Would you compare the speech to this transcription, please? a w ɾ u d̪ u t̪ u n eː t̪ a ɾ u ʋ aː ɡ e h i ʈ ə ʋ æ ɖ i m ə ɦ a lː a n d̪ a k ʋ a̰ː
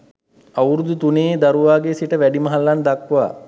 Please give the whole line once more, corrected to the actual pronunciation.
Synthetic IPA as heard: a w ɾ u d̪ u t̪ u n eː d̪ a ɾ u ʋ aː ɡ e s i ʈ ə ʋ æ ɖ i m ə ɦ a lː a n d̪ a k ʋ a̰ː